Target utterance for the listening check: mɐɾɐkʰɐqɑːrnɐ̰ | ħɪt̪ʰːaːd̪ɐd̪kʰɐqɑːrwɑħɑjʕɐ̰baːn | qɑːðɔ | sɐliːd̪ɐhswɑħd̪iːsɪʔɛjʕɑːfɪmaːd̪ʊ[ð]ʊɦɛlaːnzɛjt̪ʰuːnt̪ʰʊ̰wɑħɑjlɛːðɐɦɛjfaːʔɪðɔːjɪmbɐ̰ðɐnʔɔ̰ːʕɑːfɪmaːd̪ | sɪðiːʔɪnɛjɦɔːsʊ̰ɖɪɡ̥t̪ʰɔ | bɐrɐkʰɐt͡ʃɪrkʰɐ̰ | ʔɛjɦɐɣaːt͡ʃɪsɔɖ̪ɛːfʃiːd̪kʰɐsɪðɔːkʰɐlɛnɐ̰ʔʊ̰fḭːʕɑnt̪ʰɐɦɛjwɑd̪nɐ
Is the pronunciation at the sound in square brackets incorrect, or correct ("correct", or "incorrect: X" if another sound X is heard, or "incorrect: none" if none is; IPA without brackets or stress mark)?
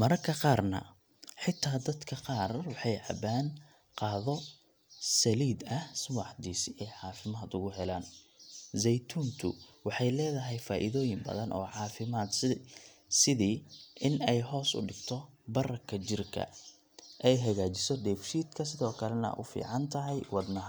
incorrect: ɣ